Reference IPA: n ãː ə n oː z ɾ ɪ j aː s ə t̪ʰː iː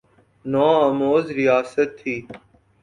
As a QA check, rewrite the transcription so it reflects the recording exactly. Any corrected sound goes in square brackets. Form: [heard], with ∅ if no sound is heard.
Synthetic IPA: n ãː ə [m] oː z ɾ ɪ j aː s ə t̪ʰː iː